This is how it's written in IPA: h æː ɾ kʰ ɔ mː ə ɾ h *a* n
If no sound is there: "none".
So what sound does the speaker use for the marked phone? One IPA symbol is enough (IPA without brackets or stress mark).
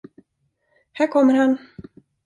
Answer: a